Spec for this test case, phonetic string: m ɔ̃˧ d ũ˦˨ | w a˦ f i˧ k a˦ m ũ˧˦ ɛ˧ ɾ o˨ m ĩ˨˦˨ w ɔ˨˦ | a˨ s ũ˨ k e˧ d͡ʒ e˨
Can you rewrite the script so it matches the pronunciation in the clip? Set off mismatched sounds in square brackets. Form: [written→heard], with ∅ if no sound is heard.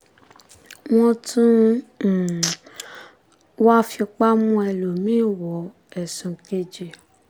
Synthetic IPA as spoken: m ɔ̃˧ [d→t] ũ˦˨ | w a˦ f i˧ [k→k͡p] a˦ m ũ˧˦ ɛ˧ [ɾ→l] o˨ m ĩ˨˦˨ w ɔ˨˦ | [a˨→ɛ˨] s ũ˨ k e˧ d͡ʒ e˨